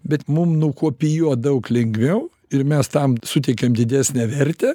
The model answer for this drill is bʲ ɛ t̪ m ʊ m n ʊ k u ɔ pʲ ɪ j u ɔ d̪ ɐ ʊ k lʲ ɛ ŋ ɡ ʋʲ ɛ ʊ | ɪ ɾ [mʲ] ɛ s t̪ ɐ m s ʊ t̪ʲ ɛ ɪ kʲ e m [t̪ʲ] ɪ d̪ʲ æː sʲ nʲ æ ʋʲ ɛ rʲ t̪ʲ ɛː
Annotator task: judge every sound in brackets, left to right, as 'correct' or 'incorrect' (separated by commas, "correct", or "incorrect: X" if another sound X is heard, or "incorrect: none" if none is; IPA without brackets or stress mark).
correct, incorrect: d̪ʲ